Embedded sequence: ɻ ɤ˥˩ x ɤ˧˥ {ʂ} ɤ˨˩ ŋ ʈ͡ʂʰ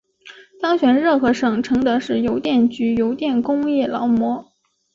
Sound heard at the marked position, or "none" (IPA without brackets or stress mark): ʂ